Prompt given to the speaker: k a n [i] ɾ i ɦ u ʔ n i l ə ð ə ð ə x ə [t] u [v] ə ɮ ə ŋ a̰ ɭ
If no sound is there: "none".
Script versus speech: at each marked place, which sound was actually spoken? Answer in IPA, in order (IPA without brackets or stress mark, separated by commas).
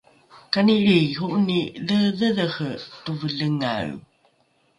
i, t, v